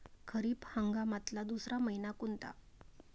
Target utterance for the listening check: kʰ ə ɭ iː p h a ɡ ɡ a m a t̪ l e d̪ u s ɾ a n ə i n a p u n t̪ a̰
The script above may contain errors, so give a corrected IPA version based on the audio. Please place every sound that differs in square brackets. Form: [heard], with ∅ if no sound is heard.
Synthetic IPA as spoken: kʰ ə [ɾ] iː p h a [ŋ] ɡ a m a t̪ l [a] d̪ u s ɾ a [m] ə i n a [k] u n t̪ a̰